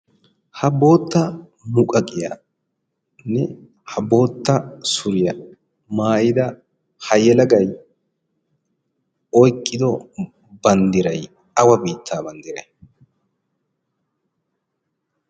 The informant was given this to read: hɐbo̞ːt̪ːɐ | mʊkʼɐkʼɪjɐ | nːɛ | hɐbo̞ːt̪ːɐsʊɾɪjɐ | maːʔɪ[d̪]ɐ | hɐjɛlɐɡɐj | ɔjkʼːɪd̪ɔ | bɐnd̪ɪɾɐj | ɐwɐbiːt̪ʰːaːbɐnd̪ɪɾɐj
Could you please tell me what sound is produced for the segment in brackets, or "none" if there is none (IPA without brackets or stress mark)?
d̪